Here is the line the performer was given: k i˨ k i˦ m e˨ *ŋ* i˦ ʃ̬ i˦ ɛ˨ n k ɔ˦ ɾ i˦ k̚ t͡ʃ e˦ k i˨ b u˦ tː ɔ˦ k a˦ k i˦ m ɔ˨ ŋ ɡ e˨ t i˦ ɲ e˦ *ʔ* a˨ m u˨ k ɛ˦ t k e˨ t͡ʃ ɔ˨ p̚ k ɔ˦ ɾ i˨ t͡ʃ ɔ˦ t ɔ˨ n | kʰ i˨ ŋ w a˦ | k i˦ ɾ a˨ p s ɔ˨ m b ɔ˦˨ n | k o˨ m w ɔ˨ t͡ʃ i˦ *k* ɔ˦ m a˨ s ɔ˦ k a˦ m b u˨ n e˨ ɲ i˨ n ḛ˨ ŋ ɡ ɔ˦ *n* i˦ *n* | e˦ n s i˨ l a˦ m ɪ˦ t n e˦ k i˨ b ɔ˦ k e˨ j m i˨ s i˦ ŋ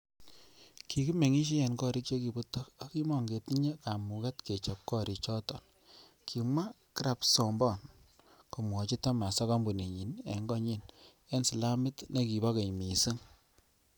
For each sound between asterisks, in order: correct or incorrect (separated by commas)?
correct, incorrect, incorrect, incorrect, correct